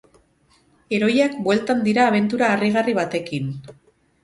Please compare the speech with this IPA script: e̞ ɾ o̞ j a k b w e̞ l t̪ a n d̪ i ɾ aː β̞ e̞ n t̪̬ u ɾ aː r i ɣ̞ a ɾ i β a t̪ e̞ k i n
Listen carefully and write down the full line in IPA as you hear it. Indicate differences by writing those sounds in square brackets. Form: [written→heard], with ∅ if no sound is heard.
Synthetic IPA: e̞ ɾ o̞ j a k b w e̞ l t̪ a n d̪ i ɾ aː β̞ e̞ n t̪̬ u ɾ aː r i ɣ̞ a [ɾ→r] i β a t̪ e̞ k i n